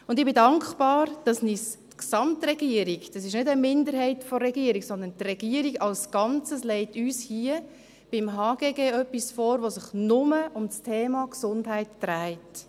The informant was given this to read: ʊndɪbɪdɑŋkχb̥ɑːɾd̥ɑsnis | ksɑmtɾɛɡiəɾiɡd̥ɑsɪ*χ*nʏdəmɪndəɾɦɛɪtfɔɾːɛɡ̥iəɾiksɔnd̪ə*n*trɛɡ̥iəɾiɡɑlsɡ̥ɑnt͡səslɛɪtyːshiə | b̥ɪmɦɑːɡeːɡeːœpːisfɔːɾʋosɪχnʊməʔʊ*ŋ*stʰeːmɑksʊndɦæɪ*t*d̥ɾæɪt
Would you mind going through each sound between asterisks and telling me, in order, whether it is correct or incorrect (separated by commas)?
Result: incorrect, correct, incorrect, correct